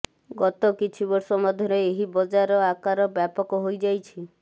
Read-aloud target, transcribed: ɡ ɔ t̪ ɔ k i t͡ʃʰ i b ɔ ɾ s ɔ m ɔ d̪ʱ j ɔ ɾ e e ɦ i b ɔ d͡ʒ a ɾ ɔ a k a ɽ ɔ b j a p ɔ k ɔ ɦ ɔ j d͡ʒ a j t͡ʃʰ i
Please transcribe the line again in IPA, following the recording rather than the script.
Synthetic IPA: ɡ ɔ t̪ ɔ k i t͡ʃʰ i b ɔ ɾ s ɔ m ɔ d̪ʱ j ɔ ɾ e e ɦ i b ɔ d͡ʒ a ɾ ɔ a k a ɾ ɔ b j a p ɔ k ɔ ɦ o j d͡ʒ a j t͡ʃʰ i